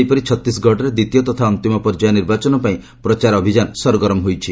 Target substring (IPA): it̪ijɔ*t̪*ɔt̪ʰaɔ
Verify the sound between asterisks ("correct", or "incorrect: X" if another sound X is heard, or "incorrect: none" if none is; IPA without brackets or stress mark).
correct